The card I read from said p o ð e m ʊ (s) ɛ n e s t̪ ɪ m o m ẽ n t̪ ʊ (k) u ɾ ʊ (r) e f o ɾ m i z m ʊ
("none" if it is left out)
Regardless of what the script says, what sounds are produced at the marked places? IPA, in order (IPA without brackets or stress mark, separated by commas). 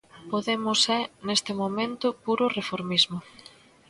s, p, r